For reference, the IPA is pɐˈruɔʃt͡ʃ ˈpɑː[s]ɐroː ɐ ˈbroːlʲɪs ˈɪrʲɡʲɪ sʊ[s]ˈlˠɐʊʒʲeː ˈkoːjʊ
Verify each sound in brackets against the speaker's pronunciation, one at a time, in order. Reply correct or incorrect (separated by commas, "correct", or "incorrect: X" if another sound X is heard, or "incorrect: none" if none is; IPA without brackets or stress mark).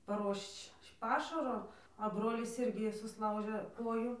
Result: incorrect: ʃ, correct